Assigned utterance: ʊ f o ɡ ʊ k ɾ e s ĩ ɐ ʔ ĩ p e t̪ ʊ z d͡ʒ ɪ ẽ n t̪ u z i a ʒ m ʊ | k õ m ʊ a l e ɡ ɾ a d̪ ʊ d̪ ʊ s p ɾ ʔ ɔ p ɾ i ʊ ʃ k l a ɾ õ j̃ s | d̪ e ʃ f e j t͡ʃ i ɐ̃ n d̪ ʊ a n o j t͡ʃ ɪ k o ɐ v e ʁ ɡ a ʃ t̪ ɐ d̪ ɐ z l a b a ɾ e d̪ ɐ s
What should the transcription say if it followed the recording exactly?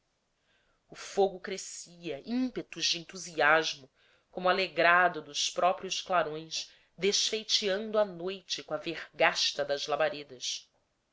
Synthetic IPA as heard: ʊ f o ɡ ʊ k ɾ e s i ɐ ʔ ĩ p e t̪ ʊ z d͡ʒ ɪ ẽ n t̪ u z i a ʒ m ʊ | k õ m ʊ a l e ɡ ɾ a d̪ ʊ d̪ ʊ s p ɾ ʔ ɔ p ɾ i ʊ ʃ k l a ɾ õ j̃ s | d̪ e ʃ f e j t͡ʃ i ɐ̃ n d̪ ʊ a n o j t͡ʃ ɪ k õ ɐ v e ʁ ɡ a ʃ t̪ ɐ d̪ ɐ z l a b a ɾ e d̪ ɐ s